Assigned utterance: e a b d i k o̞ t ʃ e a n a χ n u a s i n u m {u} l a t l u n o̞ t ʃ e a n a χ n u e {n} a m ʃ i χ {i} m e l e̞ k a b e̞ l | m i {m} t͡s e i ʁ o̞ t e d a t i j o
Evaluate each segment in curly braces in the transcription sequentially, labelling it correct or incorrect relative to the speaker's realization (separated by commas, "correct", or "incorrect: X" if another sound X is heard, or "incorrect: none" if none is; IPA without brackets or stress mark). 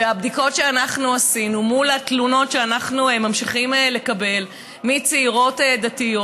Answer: correct, incorrect: m, correct, incorrect: none